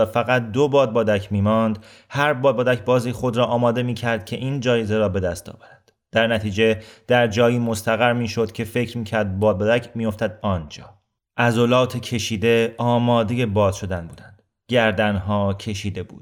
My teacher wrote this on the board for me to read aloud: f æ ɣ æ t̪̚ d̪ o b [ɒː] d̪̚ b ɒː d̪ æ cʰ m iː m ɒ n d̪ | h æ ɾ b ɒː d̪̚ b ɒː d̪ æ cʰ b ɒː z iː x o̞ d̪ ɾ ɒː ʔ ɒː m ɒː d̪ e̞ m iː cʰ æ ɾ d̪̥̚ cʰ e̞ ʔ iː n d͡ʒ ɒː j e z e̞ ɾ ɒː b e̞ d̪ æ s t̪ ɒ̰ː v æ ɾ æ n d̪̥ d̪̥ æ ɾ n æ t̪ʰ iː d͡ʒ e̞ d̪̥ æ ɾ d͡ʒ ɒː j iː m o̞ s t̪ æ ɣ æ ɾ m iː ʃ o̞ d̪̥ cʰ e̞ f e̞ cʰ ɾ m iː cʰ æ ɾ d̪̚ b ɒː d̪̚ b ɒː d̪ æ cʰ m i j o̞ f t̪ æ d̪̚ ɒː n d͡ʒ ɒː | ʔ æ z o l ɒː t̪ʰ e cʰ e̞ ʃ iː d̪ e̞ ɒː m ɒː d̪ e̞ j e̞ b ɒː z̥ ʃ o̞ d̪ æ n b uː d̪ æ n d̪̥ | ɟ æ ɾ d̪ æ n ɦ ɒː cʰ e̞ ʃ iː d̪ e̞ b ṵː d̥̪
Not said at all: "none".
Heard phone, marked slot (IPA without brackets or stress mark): ɒː